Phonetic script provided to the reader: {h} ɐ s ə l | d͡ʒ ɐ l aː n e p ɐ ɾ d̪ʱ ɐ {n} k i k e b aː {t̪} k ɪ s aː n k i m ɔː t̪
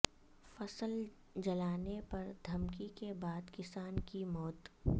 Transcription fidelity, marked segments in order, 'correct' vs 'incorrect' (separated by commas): incorrect, incorrect, incorrect